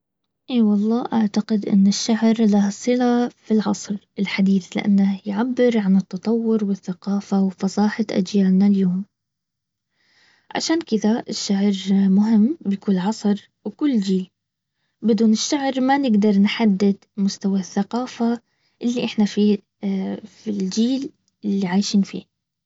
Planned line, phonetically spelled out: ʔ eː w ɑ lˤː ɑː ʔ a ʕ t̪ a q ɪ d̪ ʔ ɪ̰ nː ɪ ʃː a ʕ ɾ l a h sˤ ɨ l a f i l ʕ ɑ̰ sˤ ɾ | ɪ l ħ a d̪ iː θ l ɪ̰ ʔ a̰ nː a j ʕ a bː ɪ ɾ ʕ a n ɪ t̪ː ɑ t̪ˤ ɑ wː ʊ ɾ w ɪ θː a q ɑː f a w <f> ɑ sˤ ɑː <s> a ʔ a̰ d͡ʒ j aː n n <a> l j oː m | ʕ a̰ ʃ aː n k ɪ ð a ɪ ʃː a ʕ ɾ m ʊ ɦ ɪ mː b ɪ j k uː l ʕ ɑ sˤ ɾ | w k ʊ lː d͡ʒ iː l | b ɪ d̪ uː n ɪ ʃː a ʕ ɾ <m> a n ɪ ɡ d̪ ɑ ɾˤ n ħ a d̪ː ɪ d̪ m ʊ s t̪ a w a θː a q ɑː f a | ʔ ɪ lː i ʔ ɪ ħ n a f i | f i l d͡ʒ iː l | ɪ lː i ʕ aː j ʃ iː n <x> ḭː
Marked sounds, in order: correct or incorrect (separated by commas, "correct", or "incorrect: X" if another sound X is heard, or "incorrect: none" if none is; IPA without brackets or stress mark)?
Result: correct, incorrect: ħ, correct, correct, incorrect: f